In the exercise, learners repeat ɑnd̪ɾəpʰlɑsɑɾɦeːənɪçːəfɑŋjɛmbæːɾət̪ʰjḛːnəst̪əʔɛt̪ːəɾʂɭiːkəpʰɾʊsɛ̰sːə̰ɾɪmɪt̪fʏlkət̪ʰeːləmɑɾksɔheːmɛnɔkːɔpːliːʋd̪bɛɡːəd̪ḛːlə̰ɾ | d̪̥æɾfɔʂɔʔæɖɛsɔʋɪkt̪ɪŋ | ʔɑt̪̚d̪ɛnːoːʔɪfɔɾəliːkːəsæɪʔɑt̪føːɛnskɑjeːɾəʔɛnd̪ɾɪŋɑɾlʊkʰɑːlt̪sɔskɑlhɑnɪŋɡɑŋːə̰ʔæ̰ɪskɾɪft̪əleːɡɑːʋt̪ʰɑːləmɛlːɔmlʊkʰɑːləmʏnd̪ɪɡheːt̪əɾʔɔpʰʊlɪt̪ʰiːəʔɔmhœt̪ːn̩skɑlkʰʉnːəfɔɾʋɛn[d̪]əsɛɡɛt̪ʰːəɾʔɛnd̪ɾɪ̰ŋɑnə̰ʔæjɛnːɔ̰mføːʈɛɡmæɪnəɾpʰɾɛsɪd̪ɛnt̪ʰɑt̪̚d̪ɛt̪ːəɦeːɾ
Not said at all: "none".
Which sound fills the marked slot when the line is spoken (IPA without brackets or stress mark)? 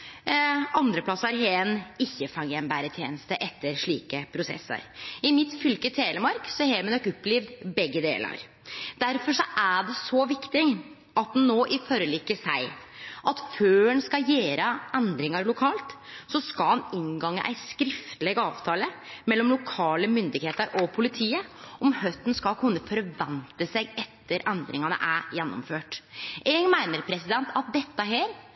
t̪